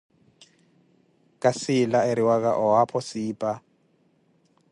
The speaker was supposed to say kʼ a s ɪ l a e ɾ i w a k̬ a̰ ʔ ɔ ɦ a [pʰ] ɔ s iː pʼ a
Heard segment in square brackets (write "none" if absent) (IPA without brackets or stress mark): pʰ